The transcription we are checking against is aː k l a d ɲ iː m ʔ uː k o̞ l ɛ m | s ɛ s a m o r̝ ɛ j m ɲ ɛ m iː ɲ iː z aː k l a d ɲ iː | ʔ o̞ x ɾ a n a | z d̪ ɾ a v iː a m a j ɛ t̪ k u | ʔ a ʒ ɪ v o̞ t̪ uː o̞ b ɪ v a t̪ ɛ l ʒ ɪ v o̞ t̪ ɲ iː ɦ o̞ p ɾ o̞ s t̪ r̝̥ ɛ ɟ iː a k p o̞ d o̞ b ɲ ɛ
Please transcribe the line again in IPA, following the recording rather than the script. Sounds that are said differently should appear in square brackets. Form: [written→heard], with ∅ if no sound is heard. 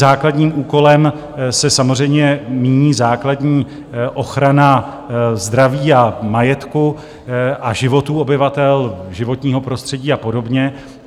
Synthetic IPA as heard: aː k l a d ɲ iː m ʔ uː k o̞ l ɛ m | s ɛ s a m o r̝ ɛ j m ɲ ɛ m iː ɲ iː z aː k l a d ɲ iː | ʔ o̞ x ɾ a n a | z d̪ ɾ a v iː a m a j ɛ t̪ k u | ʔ a ʒ ɪ v o̞ t̪ uː o̞ b ɪ v a t̪ ɛ l ʒ ɪ v o̞ t̪ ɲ iː ɦ o̞ p ɾ o̞ s t̪ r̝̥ ɛ ɟ iː a [k→∅] p o̞ d o̞ b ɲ ɛ